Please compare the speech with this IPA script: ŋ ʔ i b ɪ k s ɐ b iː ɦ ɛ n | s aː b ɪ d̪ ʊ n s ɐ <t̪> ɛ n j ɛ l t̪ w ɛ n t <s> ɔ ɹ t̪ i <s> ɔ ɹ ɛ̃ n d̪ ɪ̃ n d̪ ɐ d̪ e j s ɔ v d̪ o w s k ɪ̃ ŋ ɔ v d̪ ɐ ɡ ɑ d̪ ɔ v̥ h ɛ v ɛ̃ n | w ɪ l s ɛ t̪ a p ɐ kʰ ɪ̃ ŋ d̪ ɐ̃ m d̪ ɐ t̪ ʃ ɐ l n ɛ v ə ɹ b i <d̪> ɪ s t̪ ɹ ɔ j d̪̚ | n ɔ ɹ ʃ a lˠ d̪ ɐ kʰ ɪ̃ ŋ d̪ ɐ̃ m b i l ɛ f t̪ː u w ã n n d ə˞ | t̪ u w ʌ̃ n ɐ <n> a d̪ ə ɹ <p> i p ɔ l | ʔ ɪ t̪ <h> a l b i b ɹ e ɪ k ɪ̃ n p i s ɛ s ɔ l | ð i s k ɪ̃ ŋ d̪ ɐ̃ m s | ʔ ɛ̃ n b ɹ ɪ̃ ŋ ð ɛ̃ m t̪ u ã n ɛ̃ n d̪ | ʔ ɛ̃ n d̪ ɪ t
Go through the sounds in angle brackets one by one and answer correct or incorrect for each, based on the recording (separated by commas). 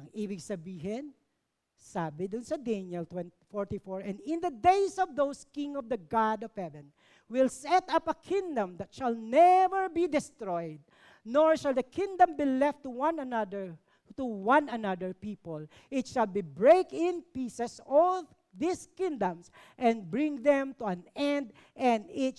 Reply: incorrect, incorrect, incorrect, correct, correct, correct, incorrect